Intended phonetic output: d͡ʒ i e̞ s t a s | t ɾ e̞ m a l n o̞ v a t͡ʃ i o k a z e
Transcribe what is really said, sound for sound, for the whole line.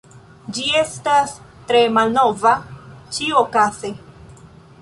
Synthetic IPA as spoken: d͡ʒ i e̞ s t a s | t ɾ e̞ m a l n o̞ v a t͡ʃ i o k a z e

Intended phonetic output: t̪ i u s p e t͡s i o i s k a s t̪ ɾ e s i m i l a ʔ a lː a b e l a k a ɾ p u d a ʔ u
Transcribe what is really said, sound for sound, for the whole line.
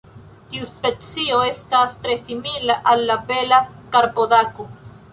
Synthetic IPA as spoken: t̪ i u s p e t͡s i o e s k a s t̪ ɾ e s i m i l a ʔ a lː a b e l a k a ɾ p o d a k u

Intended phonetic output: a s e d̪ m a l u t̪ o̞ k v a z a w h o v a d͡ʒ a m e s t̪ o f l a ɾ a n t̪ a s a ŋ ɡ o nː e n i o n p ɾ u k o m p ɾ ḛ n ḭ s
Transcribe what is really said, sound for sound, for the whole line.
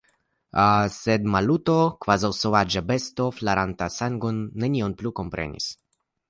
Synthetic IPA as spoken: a s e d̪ m a l u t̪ o̞ k v a z a w s o v a d͡ʒ a b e s t̪ o f l a ɾ a n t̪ a s a ŋ ɡ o nː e n i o n p l u k o m p ɾ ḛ n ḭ s

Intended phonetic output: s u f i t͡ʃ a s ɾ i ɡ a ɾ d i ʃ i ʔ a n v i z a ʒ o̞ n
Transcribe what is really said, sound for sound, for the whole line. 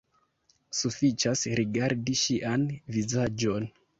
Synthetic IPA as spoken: s u f i t͡ʃ a s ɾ i ɡ a ɾ d i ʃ i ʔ a n v i z a d͡ʒ o̞ n

